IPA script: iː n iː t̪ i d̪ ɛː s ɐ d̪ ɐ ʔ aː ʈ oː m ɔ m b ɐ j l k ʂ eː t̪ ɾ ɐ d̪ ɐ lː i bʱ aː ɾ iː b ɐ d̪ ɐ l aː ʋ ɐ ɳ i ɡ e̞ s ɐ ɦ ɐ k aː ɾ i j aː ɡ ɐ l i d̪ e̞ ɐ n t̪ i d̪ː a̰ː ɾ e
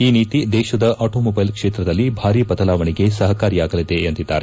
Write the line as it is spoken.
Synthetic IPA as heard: iː n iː t̪ i d̪ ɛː ʃ ɐ d̪ ɐ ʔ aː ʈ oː m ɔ b ɐ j l k ʂ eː t̪ ɾ ɐ d̪ ɐ lː i bʱ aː ɾ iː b ɐ t̪ ɐ l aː ʋ ɐ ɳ i ɡ e̞ s ɐ ɦ ɐ k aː ɾ i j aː ɡ ɐ l i d̪ e̞ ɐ n t̪ i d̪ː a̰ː ɾ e

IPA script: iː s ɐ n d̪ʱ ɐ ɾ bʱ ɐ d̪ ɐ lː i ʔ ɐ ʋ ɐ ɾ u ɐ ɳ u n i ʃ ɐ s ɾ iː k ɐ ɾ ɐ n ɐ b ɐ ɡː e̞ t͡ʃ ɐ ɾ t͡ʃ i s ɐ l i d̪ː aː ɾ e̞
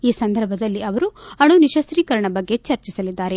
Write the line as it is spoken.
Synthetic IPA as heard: iː s ɐ n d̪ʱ ɐ ɾ bʱ ɐ d̪ ɐ lː i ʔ ɐ ʋ ɐ ɾ u ɐ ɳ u n i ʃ ɐ s ɾ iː k ɐ ɾ ɐ ɳ ɐ b ɐ ɡː e̞ t͡ʃ ɐ ɾ t͡ʃ i s ɐ l i d̪ː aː ɾ e̞

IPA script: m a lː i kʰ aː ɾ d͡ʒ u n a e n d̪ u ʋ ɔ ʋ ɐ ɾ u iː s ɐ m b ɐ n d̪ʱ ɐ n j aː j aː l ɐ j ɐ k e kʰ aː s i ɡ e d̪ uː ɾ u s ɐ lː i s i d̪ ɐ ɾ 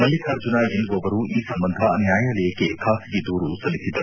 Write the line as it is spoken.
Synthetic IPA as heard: m ɐ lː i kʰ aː ɾ d͡ʒ u n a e n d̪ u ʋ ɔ ʋ ɐ ɾ u iː s ɐ m b ɐ n d̪ʱ ɐ n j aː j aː l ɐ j ɐ k e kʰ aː s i ɡ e d̪ uː ɾ u s ɐ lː i s i d̪ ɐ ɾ

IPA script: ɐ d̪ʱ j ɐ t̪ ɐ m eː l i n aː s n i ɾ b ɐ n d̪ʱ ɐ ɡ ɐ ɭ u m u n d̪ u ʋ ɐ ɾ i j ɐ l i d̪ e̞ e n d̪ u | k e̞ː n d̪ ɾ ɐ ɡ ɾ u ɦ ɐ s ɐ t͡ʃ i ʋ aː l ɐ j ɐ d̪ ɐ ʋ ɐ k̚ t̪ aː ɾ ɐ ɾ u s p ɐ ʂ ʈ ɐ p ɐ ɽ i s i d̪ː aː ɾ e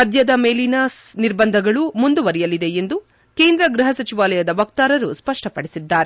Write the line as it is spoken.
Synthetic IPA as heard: ɐ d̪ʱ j ɐ d̪ ɐ m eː l i n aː s n i ɾ b ɐ n d̪ʱ ɐ ɡ ɐ ɭ u m u n d̪ u ʋ ɐ ɾ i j ɐ l i d̪ e̞ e n d̪ u | k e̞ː n d̪ ɾ ɐ ɡ ɾ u ɦ ɐ s ɐ t͡ʃ i ʋ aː l ɐ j ɐ d̪ ɐ ʋ ɐ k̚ t̪ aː ɾ ɐ ɾ u s p ɐ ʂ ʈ ɐ p ɐ ɽ i s i d̪ː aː ɾ e

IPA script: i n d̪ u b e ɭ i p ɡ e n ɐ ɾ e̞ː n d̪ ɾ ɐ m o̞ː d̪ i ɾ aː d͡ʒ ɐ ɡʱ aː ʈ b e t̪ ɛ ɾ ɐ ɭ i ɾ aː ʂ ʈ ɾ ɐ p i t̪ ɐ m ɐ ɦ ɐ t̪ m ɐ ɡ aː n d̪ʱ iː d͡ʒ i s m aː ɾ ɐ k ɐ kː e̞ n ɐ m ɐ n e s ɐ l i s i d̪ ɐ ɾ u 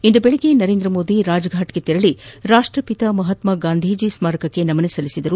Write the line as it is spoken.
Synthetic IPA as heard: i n d̪ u b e ɭ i ɡ e n ɐ ɾ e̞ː n d̪ ɾ ɐ m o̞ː d̪ i ɾ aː d͡ʒ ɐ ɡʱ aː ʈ ɡ e t̪ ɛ ɾ ɐ ɭ i ɾ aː ʂ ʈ ɾ ɐ p i t̪ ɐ m ɐ ɦ ɐ t̪ m ɐ ɡ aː n d̪ʱ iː d͡ʒ i s m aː ɾ ɐ k ɐ kː e̞ n ɐ m ɐ n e s ɐ l i s i d̪ ɐ ɾ u

